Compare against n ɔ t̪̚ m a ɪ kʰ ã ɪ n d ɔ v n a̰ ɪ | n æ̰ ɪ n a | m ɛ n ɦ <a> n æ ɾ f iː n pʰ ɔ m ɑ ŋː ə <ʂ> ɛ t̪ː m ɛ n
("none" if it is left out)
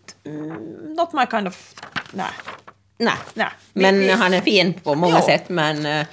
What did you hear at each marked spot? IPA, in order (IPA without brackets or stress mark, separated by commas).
ɑ, s